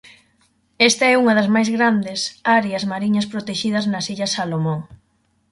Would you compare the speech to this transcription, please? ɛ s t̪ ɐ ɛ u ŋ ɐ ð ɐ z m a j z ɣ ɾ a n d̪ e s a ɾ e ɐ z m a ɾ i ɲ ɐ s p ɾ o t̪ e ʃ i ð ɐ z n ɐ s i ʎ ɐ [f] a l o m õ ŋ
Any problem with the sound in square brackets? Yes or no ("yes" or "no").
yes